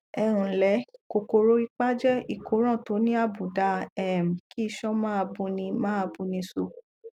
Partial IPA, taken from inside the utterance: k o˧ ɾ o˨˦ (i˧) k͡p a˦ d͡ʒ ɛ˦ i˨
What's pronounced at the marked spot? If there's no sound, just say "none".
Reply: i˧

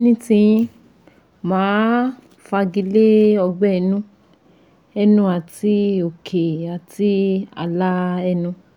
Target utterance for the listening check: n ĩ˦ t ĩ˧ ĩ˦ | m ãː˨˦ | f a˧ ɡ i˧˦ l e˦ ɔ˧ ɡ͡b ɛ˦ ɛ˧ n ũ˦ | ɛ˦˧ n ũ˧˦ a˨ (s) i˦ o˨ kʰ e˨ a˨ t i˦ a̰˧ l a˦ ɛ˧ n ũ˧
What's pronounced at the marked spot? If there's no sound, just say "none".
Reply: t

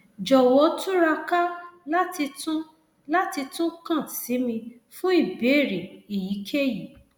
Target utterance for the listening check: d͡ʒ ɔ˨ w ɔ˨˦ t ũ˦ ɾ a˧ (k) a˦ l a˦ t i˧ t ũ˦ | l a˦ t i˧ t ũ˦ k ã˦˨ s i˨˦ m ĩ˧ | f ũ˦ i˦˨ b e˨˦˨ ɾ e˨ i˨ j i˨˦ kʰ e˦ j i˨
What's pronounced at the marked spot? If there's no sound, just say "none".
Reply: k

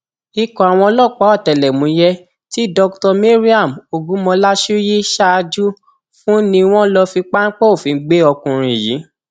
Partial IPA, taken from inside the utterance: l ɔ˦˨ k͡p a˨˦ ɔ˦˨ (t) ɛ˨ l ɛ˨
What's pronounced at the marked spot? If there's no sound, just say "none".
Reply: t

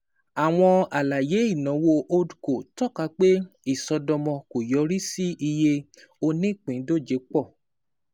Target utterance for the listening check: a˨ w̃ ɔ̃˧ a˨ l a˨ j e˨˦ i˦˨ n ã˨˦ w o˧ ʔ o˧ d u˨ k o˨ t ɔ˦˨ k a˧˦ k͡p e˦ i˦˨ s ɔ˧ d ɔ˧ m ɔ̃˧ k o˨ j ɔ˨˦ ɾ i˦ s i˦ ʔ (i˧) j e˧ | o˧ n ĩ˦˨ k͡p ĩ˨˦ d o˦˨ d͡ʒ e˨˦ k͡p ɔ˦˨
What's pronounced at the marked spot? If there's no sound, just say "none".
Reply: i˧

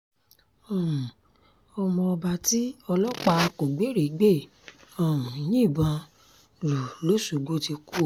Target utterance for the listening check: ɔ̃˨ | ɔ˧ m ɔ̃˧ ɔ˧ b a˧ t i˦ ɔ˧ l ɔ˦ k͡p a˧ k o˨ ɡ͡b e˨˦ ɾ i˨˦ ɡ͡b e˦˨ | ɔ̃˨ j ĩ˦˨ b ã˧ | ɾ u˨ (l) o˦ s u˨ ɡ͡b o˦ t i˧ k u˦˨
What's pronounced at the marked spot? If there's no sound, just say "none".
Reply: l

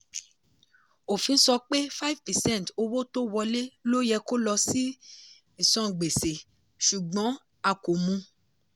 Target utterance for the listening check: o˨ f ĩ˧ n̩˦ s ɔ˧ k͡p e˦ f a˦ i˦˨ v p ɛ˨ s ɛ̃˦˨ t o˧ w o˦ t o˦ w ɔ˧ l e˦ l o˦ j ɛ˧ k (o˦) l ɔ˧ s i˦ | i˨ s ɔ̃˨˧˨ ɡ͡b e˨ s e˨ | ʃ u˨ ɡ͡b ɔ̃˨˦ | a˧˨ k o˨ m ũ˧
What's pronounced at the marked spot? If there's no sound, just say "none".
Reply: o˦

